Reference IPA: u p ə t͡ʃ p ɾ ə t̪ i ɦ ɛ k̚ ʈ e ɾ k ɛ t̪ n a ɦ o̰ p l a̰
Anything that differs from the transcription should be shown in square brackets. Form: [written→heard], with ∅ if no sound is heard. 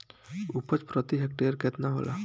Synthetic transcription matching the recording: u p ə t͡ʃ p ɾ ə t̪ i ɦ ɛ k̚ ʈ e ɾ k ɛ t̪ n a ɦ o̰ [p→∅] l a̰

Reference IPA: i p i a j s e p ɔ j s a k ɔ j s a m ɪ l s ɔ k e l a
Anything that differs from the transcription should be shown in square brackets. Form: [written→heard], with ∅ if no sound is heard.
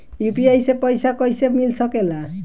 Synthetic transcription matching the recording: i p i a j s e p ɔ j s a k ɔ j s [a→e] m [ɪ→i] l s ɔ k e l a

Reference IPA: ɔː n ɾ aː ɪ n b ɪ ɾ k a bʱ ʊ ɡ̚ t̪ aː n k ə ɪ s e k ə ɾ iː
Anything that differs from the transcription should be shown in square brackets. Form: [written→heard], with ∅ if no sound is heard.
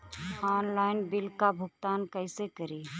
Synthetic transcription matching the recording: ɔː n [ɾ→l] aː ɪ n b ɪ [ɾ→l] k a bʱ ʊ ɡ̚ t̪ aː n k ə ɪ s e k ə ɾ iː

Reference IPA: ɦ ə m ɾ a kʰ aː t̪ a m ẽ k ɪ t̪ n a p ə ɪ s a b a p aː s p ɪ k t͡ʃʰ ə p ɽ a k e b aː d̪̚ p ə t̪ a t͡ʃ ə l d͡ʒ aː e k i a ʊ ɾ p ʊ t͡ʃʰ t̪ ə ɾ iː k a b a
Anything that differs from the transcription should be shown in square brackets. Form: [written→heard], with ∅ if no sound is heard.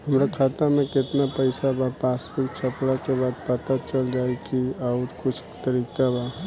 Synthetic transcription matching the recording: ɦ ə m ɾ a kʰ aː t̪ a m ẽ k ɪ t̪ n a p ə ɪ s a b a p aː s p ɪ k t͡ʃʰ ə p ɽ a k e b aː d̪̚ p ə t̪ a t͡ʃ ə l d͡ʒ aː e k i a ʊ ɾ [p→k] ʊ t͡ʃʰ t̪ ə ɾ iː k a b a

